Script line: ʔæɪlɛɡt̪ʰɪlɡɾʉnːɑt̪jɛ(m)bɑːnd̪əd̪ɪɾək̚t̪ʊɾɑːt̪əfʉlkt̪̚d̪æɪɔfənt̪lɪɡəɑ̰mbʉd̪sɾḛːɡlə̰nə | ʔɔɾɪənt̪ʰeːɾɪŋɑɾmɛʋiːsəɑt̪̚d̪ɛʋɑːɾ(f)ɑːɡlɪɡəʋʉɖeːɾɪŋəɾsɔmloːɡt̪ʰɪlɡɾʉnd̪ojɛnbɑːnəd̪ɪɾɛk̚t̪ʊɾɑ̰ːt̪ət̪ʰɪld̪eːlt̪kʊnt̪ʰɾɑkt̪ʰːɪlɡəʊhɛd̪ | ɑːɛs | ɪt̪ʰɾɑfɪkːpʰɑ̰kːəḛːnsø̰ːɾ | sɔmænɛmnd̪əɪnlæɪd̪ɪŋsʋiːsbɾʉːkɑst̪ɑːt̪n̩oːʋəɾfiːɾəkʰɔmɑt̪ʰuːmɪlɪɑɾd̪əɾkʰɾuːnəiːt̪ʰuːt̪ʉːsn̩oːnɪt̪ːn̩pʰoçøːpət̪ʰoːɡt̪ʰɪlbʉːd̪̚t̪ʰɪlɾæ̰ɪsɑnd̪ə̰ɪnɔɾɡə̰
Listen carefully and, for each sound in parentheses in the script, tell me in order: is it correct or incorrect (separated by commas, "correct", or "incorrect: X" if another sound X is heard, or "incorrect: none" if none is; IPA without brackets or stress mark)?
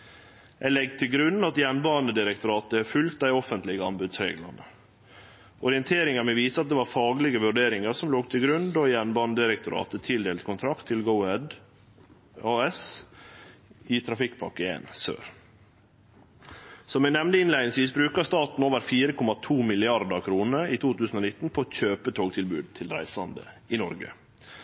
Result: incorrect: n, correct